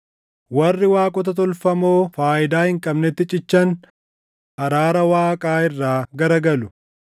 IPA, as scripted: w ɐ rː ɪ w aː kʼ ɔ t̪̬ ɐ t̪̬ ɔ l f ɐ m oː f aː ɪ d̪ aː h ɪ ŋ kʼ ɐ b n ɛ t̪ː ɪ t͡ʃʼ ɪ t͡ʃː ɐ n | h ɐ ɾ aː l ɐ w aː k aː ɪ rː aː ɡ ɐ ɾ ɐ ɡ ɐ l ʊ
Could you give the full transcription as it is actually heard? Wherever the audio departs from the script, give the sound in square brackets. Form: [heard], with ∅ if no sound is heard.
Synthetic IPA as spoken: w ɐ rː ɪ w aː kʼ ɔ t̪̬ ɐ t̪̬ ɔ l f ɐ m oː f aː ɪ d̪ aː h ɪ ŋ kʼ ɐ b n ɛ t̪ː ɪ t͡ʃʼ ɪ t͡ʃː ɐ n | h ɐ ɾ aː [ɾ] ɐ w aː [kʼ] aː ɪ rː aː ɡ ɐ ɾ ɐ ɡ ɐ l ʊ